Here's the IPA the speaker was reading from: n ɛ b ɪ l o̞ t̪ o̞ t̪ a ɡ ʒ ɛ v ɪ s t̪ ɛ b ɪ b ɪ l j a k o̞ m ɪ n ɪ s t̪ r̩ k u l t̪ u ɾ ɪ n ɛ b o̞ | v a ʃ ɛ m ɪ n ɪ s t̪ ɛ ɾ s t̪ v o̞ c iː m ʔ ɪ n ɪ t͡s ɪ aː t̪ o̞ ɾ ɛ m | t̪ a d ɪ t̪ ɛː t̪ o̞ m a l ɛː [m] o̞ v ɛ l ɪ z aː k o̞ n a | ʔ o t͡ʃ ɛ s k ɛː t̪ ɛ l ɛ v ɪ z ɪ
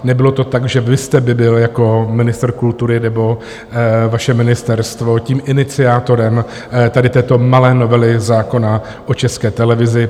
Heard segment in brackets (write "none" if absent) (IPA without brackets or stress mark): n